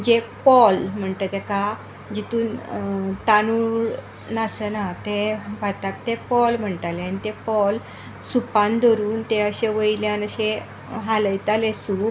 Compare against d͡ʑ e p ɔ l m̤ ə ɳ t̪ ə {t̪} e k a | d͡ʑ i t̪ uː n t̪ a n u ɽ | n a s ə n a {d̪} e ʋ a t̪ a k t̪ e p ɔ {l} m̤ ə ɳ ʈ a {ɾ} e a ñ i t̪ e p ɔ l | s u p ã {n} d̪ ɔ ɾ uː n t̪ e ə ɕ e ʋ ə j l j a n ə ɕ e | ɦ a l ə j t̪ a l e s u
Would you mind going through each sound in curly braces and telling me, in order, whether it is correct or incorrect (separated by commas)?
correct, incorrect, correct, incorrect, correct